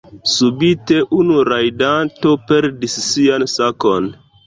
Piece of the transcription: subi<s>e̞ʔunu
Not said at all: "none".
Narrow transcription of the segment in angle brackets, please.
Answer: t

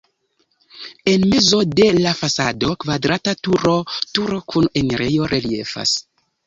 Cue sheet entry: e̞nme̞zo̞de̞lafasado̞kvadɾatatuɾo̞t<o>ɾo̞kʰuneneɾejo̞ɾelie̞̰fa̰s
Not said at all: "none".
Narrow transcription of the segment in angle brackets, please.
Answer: u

